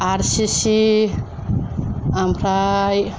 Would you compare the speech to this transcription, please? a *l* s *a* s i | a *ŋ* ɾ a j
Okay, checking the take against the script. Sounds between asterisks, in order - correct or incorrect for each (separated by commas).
incorrect, incorrect, incorrect